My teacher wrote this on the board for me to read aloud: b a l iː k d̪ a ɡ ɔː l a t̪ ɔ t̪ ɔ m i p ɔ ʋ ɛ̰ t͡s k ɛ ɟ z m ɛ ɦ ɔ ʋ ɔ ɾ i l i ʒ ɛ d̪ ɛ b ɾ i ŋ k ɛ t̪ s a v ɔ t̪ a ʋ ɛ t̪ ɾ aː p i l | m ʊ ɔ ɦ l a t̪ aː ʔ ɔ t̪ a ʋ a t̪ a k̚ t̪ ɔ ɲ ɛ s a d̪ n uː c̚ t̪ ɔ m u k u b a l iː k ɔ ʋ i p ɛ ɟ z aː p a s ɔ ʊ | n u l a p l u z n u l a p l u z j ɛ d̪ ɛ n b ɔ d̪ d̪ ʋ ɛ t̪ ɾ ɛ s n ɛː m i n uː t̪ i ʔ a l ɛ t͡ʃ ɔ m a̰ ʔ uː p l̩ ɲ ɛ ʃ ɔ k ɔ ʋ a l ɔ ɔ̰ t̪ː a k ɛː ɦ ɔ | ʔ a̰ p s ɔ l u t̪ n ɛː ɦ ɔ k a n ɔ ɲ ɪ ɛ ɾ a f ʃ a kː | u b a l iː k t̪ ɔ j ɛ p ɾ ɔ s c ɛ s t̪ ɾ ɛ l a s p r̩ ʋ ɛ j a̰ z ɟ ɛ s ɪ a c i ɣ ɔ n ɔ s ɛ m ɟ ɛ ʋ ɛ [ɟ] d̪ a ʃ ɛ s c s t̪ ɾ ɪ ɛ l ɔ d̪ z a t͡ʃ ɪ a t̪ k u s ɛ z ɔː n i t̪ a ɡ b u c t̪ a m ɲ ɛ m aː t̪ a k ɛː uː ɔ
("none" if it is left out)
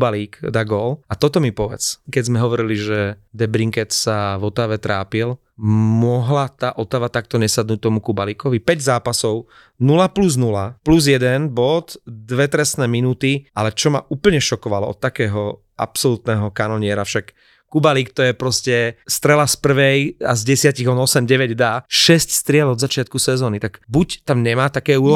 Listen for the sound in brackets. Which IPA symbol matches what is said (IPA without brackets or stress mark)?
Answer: ɟ